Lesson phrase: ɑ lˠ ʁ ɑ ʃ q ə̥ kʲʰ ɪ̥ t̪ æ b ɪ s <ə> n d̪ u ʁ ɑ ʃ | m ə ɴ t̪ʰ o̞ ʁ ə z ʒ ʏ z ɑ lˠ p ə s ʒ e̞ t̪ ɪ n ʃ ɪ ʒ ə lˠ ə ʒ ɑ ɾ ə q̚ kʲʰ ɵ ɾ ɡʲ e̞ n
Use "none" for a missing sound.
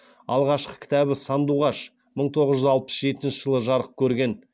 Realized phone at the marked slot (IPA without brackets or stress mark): ɑ